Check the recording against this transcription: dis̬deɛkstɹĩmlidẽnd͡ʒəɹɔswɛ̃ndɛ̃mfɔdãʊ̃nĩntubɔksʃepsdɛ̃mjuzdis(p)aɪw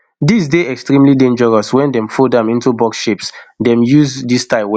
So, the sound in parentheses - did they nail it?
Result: no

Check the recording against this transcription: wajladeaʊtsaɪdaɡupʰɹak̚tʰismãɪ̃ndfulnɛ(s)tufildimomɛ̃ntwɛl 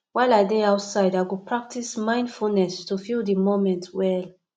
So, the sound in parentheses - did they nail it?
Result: yes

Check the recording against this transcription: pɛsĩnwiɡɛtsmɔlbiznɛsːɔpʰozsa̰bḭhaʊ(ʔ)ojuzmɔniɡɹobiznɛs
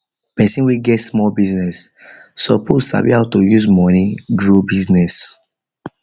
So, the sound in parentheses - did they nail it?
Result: no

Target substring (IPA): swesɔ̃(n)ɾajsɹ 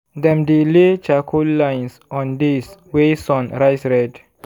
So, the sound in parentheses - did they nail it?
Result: yes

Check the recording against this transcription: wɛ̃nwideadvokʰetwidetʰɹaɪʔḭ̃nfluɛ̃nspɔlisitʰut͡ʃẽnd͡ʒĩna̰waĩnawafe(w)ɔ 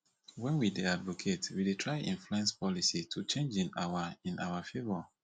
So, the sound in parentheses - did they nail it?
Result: no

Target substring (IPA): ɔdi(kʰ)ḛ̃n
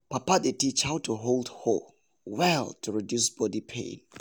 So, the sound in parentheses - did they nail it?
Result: no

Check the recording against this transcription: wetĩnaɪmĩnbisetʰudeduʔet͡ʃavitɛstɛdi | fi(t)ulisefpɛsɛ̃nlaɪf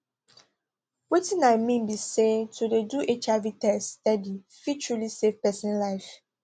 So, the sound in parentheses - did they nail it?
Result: no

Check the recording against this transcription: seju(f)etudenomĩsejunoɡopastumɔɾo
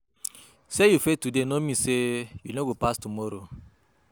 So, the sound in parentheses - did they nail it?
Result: yes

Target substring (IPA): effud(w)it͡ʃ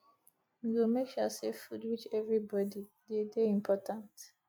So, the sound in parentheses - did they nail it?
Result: yes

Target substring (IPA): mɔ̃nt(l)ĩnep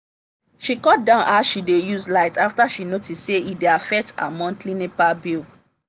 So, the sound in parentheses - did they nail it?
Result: yes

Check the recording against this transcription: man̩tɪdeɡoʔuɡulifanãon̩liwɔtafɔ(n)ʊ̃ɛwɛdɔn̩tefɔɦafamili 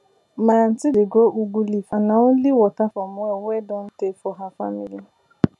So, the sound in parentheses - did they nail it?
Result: no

